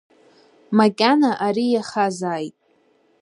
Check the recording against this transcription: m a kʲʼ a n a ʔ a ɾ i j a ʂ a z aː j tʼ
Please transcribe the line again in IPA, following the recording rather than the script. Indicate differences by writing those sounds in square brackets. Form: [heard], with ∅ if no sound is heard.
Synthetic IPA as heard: m a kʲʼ a n a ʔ a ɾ i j a [χ] a z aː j tʼ